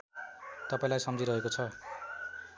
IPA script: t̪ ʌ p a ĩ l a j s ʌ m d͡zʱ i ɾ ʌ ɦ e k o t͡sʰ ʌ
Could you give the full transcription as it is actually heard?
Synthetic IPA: t̪ ʌ p a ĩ l a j s ʌ m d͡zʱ i ɾ ʌ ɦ e k o t͡sʰ ʌ